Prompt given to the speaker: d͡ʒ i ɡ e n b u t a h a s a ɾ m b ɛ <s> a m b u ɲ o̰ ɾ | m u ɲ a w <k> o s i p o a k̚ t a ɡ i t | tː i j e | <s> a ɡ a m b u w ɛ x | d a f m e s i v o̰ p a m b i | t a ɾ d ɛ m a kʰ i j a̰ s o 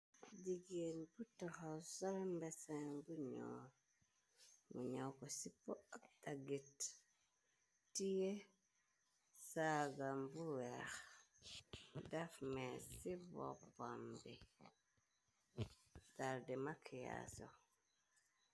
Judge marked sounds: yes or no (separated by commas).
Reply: yes, yes, yes